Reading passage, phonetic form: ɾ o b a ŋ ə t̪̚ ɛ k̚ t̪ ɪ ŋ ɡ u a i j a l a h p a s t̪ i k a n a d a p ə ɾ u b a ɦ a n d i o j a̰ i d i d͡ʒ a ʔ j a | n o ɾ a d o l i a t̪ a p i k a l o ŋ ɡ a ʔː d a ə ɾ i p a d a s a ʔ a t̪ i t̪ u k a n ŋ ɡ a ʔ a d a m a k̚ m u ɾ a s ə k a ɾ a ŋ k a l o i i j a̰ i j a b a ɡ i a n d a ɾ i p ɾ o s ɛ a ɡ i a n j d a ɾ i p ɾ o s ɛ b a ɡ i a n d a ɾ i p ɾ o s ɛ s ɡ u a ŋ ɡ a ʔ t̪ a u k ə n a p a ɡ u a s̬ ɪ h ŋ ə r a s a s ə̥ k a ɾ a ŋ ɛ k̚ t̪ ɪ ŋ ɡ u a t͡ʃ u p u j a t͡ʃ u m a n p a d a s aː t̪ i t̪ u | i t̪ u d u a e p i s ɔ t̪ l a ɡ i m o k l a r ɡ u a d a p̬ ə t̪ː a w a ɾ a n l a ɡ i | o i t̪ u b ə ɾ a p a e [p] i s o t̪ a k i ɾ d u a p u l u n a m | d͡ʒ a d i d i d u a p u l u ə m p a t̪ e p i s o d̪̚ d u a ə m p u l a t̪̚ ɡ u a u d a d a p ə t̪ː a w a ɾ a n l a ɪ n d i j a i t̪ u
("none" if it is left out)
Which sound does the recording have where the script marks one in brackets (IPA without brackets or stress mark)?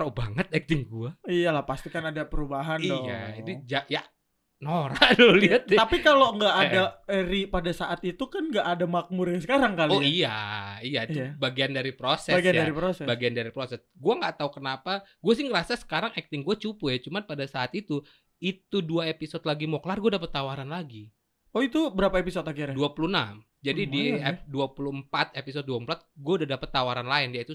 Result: p